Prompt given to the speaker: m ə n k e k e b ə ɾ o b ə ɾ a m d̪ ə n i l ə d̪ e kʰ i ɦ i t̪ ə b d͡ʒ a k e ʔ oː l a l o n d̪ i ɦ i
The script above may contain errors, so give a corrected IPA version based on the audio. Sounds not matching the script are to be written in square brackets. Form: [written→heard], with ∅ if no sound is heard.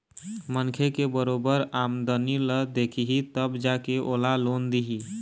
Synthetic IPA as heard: m ə n [k→kʰ] e k e b ə ɾ o b ə ɾ a m d̪ ə n i l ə d̪ e kʰ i ɦ i t̪ ə b d͡ʒ a k e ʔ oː l a l o n d̪ i ɦ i